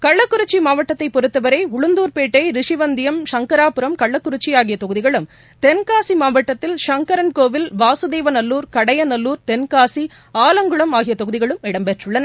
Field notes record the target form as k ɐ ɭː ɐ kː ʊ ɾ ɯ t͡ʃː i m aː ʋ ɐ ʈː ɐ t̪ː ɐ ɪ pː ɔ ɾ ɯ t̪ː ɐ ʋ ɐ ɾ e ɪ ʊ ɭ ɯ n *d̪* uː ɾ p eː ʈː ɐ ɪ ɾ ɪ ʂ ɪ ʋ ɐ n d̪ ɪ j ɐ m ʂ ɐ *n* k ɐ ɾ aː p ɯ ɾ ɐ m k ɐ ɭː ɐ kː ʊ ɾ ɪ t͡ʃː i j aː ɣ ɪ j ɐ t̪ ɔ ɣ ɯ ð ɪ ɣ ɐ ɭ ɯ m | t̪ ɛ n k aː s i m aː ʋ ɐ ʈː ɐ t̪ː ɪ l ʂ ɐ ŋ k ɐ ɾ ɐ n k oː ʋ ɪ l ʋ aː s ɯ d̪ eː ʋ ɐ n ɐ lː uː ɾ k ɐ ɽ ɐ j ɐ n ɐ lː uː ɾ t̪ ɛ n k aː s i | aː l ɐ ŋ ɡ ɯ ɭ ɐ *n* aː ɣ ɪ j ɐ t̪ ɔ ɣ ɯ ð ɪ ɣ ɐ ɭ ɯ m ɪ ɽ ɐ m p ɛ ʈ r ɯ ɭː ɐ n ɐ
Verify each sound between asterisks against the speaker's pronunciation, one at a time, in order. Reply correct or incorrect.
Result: correct, incorrect, incorrect

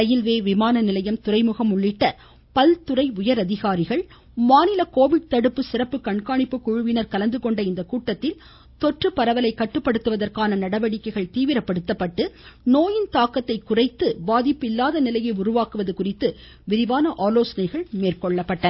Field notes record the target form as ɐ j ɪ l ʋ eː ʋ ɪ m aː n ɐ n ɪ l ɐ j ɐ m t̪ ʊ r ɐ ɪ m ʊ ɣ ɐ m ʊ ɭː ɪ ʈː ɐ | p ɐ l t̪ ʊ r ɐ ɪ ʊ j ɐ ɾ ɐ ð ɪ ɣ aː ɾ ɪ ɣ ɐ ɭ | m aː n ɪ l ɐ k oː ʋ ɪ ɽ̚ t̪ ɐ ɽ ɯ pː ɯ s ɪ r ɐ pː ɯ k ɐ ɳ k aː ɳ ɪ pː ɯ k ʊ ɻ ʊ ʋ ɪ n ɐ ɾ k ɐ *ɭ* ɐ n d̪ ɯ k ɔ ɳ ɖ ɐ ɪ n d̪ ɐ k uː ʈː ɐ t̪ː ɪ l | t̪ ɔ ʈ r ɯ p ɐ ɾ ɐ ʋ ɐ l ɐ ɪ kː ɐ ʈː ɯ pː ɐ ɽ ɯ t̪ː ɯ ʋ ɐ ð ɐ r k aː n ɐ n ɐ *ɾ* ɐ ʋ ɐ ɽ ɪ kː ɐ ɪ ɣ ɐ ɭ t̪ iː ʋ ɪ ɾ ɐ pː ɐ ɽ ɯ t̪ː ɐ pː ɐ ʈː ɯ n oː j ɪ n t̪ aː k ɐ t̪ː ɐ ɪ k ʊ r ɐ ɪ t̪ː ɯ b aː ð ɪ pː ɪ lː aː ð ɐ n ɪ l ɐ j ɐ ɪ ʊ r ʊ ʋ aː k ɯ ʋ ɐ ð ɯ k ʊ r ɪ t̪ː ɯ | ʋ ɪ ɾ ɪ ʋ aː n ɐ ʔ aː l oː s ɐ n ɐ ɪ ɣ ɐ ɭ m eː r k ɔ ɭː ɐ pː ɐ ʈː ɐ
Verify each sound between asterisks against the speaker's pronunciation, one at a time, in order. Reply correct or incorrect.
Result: incorrect, incorrect

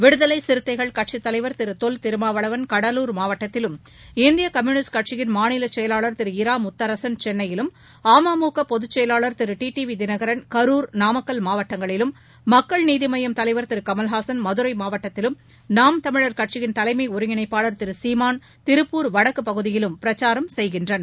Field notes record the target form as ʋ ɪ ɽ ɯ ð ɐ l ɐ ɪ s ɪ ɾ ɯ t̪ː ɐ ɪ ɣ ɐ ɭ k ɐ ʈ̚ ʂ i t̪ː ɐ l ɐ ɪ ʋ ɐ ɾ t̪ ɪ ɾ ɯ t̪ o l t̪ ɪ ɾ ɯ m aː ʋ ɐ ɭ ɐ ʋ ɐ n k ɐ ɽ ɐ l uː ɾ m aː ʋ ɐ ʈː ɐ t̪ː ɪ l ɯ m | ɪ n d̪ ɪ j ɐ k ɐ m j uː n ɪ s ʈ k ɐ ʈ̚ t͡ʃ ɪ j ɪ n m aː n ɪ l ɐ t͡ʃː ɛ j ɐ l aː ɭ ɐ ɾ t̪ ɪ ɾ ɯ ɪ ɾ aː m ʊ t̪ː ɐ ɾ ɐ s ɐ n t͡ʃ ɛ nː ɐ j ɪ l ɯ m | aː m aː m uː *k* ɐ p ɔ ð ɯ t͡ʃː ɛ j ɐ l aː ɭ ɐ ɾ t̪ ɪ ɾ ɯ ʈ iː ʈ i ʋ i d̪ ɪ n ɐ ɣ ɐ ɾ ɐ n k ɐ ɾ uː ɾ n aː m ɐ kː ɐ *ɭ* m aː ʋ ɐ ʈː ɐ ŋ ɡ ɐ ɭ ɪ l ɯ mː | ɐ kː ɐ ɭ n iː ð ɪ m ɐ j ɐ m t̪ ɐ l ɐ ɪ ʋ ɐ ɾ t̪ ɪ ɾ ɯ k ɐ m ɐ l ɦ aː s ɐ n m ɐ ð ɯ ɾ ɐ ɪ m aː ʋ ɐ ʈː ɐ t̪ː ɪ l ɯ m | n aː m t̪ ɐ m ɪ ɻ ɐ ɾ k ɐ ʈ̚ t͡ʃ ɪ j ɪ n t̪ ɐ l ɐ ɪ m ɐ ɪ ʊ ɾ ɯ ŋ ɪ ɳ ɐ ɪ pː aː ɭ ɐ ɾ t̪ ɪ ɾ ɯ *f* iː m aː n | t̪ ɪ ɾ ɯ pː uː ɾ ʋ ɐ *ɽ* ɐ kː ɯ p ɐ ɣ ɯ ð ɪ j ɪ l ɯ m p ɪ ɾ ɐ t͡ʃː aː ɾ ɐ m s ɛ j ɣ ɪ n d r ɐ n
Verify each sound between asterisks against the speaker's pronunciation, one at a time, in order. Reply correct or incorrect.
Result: correct, incorrect, incorrect, correct

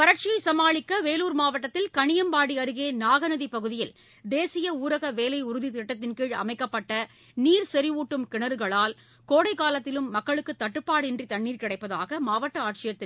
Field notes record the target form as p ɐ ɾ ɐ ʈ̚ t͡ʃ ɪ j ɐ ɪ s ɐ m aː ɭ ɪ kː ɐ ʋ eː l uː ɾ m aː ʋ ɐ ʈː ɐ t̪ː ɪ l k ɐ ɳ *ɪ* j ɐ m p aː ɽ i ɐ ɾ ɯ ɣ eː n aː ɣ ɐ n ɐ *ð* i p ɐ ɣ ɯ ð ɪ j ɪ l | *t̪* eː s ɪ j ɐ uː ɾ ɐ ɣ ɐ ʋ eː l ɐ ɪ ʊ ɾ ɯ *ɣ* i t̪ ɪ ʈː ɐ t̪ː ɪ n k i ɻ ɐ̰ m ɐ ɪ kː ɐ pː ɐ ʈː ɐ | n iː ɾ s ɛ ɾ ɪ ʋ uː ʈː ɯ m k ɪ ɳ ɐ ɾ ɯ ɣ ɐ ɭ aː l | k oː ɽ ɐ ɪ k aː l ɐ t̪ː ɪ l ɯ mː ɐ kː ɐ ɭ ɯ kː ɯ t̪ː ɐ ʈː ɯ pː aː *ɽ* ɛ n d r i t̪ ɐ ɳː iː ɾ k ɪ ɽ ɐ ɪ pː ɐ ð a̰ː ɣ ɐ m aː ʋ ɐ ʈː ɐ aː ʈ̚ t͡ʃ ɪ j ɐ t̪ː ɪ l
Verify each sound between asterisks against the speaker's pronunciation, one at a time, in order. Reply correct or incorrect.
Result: correct, correct, incorrect, incorrect, correct

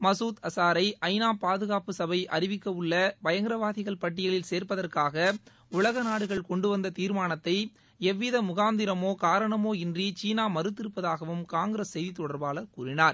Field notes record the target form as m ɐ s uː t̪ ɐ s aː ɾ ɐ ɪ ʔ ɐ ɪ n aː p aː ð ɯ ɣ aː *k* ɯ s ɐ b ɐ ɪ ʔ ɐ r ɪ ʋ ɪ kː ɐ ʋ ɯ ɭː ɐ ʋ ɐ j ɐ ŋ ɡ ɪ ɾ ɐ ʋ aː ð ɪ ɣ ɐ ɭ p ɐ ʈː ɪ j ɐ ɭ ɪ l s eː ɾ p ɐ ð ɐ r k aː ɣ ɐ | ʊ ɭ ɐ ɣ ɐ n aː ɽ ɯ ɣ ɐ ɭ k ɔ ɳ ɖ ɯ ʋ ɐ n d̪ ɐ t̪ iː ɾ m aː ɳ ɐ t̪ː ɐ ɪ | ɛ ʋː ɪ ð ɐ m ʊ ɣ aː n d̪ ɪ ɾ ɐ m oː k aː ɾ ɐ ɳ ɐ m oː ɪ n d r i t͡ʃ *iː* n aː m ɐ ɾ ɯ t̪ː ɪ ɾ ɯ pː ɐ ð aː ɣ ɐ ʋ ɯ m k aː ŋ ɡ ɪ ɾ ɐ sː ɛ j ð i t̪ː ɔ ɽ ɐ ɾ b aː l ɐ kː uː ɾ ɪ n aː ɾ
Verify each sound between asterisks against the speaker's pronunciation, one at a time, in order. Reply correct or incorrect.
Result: incorrect, correct

